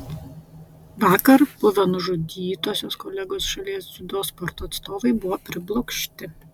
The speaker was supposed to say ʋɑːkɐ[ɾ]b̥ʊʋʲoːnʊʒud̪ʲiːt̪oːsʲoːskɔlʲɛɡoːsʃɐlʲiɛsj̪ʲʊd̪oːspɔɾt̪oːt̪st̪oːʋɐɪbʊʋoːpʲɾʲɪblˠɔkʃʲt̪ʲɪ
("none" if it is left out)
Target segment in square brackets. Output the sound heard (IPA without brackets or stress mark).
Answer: ɾ